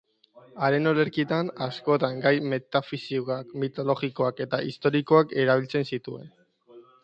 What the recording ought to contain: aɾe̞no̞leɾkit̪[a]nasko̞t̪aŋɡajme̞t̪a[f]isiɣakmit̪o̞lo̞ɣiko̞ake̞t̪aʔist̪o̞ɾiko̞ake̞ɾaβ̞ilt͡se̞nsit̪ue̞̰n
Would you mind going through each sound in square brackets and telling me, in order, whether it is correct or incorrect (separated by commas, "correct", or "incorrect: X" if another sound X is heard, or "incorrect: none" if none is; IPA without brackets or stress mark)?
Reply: correct, correct